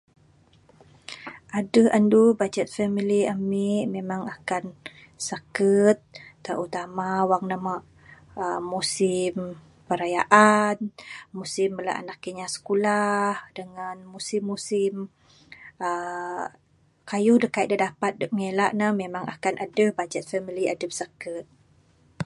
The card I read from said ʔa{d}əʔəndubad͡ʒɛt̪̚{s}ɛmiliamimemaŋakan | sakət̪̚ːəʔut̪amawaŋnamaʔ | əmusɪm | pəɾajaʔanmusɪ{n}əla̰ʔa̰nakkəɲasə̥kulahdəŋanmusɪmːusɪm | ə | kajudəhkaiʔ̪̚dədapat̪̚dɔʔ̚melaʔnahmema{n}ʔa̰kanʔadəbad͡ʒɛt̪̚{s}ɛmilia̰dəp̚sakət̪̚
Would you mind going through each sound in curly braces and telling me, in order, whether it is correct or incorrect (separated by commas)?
correct, incorrect, incorrect, incorrect, incorrect